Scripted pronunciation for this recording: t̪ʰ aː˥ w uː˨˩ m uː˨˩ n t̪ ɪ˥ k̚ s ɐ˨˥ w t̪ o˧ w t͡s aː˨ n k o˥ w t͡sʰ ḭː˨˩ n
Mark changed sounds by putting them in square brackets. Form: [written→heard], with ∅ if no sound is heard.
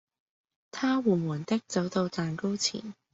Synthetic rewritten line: t̪ʰ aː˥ w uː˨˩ m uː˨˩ n t̪ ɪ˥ k̚ [s→t͡s] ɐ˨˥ w t̪ o˧ w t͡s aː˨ n k o˥ w t͡sʰ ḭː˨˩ n